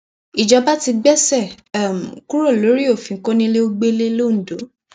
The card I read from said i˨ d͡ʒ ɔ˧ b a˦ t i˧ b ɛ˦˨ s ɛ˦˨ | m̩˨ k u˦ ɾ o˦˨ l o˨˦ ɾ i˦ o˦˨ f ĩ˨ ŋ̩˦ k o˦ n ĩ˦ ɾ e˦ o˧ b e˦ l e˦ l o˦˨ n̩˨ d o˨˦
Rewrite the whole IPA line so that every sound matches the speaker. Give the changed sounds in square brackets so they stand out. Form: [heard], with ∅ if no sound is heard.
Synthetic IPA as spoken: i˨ d͡ʒ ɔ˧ b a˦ t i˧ [ɡ͡b] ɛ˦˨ s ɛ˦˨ | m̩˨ k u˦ ɾ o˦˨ l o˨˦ ɾ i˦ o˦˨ f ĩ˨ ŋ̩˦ k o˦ n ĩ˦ [l] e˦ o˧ [ɡ͡b] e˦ l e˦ l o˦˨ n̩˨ d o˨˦